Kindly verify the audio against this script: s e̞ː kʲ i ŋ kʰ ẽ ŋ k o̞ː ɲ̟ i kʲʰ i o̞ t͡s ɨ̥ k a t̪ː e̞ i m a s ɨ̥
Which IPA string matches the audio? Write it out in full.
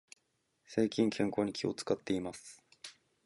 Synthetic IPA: s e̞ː kʲ ĩ ŋ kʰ ẽ ŋ k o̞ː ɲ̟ i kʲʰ i o̞ t͡s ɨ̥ k a t̪ː e̞ i m a s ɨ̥